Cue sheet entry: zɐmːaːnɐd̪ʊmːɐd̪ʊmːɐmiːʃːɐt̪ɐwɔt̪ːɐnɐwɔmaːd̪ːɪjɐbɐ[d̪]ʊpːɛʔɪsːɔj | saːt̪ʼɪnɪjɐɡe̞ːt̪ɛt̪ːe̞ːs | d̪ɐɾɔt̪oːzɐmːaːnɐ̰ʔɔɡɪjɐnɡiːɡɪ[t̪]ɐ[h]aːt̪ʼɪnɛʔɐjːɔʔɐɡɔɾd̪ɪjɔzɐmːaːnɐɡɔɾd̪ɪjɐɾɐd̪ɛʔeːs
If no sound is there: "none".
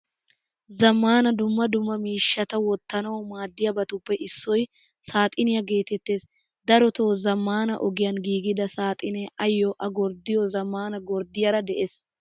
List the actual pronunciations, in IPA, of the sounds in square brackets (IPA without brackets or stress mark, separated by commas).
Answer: t̪, d̪, s